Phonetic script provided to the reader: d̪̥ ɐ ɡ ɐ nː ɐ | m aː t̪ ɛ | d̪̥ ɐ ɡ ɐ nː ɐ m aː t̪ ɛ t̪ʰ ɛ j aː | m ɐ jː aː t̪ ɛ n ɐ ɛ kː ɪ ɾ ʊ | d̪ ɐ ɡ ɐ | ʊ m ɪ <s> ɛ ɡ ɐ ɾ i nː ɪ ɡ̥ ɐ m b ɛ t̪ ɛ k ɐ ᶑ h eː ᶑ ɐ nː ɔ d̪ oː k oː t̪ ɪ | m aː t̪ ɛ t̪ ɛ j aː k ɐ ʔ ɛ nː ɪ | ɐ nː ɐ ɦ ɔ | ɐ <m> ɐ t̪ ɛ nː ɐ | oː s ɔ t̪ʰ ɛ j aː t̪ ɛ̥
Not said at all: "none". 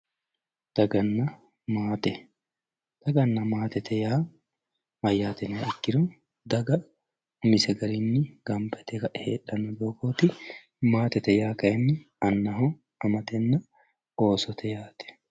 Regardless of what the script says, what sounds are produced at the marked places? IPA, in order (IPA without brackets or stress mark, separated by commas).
s, m